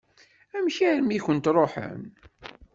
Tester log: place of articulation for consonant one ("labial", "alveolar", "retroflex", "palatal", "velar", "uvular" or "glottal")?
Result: labial